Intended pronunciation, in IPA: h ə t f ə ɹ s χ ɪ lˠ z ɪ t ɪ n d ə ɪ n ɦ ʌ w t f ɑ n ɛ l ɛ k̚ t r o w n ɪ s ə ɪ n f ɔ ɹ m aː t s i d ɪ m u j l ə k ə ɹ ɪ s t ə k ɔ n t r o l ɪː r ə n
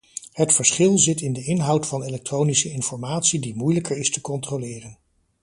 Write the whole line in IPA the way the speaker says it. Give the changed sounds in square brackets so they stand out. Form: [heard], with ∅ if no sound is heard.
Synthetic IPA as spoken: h ə t f ə ɹ s χ ɪ lˠ z ɪ t ɪ n d ə ɪ n ɦ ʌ w t f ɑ n [e] l ɛ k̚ t r o w n [i] s ə ɪ n f ɔ ɹ m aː t s i d [i] m u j l ə k ə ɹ ɪ s t ə k ɔ n t r o l ɪː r ə n